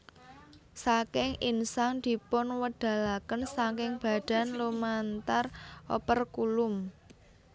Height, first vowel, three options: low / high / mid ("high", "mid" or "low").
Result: low